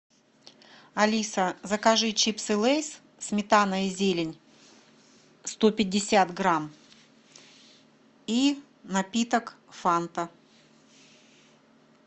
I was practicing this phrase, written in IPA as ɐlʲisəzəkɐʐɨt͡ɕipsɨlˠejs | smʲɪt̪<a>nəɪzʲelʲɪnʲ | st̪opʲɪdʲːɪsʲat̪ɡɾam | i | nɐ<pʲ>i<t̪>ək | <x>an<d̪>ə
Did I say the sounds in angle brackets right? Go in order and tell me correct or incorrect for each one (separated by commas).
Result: correct, correct, correct, incorrect, incorrect